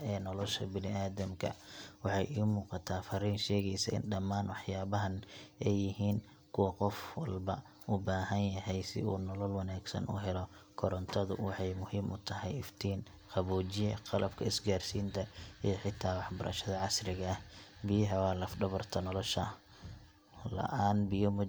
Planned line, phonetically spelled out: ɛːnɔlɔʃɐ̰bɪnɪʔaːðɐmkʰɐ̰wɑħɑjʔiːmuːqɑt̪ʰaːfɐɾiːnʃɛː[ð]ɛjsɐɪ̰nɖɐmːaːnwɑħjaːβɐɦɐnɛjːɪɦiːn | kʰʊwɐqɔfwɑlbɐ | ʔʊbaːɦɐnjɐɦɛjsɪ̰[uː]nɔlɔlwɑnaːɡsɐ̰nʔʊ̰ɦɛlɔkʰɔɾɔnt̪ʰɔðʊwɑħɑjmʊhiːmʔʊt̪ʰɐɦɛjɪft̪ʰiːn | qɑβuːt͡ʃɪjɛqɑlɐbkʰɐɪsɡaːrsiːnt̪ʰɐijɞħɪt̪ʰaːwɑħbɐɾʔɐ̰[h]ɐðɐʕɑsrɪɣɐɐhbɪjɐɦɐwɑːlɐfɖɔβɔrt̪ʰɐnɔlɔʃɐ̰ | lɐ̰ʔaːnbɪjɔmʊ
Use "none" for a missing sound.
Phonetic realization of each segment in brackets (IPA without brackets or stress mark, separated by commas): ɣ, uː, ʃ